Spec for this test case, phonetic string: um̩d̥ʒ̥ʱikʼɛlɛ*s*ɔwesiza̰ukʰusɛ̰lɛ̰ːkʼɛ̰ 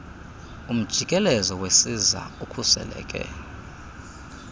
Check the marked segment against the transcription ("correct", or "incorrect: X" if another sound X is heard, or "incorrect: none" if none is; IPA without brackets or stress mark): incorrect: z